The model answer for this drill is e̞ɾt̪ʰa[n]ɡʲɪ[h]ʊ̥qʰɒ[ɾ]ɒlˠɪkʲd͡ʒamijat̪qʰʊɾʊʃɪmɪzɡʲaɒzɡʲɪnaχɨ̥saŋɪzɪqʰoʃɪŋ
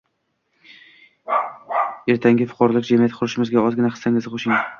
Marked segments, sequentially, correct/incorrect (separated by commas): incorrect, incorrect, correct